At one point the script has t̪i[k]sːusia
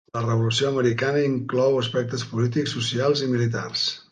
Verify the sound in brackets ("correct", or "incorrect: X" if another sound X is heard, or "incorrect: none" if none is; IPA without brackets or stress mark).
correct